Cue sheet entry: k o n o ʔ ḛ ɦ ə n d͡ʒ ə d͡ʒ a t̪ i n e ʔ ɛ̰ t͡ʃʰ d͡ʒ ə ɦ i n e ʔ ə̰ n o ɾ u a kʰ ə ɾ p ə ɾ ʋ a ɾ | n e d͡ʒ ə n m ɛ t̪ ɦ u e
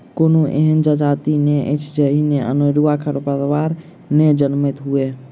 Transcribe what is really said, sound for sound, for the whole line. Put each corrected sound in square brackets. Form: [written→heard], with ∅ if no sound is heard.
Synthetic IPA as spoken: k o n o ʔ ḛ ɦ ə n d͡ʒ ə d͡ʒ a t̪ i n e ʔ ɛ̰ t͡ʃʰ d͡ʒ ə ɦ i n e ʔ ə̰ n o ɾ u a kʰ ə ɾ p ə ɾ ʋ a ɾ | n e d͡ʒ ə n m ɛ t̪ ɦ u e